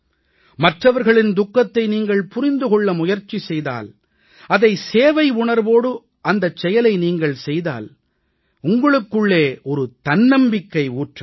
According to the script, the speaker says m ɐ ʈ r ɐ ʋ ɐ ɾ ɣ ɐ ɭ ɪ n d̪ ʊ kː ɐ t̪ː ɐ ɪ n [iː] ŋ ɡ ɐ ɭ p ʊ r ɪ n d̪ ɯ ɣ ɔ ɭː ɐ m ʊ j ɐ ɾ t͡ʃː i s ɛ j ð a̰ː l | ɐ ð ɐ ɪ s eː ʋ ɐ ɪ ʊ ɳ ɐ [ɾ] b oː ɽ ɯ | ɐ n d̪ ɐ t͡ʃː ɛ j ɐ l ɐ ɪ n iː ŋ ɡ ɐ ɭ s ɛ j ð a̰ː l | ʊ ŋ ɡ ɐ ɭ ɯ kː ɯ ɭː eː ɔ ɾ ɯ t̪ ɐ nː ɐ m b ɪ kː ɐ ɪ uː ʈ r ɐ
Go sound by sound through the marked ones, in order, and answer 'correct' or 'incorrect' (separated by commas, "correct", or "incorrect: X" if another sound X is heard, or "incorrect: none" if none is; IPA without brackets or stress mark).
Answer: correct, correct